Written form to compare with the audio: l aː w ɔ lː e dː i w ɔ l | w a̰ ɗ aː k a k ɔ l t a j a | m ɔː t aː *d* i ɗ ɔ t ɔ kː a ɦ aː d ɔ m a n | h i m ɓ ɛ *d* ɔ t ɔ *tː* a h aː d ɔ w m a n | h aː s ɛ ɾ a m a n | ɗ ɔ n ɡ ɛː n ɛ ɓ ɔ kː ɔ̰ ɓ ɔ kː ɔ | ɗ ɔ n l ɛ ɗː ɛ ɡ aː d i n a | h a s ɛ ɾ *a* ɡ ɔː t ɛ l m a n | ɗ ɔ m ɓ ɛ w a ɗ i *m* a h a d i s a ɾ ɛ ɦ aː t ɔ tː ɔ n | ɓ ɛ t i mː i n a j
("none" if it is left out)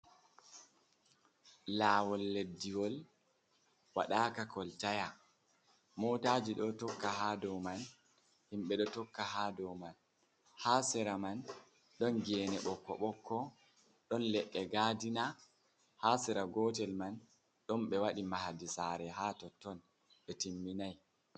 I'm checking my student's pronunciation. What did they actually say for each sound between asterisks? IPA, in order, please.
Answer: d͡ʒ, ɗ, kː, a, m

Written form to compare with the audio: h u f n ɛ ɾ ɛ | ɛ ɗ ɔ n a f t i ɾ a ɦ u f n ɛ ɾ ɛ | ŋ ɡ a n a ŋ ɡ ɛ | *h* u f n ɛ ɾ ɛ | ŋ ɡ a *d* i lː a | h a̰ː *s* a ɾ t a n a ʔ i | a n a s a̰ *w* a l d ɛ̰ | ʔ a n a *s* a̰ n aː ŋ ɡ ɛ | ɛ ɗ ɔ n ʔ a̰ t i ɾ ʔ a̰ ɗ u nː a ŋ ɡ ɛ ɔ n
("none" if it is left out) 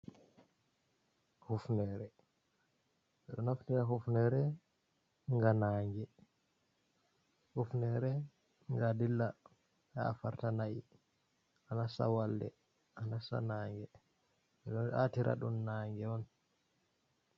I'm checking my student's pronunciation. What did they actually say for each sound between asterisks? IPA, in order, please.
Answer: h, d, f, w, s

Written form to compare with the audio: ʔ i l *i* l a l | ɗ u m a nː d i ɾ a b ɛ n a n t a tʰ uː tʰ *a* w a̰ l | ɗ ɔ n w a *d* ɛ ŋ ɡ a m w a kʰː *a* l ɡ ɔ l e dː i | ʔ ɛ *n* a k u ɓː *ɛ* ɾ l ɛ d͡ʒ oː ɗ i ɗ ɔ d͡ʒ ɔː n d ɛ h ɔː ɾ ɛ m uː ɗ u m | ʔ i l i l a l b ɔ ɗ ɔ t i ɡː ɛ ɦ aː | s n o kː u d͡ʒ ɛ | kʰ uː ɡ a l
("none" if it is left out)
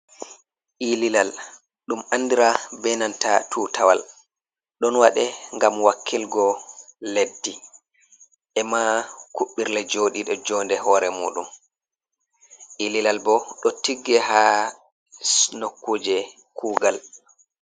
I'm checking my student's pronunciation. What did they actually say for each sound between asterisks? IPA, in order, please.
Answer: i, a, ɗ, i, m, i

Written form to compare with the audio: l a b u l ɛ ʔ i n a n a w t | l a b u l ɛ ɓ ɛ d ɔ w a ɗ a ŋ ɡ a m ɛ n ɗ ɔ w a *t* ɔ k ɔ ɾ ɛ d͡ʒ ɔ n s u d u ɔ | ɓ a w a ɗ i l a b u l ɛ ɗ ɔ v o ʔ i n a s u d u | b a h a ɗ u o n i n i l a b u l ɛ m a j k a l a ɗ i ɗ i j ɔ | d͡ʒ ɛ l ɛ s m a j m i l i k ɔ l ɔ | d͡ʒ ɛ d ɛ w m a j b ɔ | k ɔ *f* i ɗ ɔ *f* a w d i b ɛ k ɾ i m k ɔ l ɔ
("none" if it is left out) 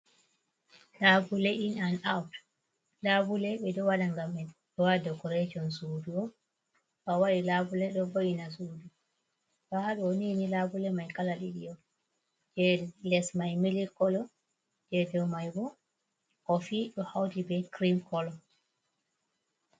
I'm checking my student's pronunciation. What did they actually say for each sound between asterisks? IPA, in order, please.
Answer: d, f, h

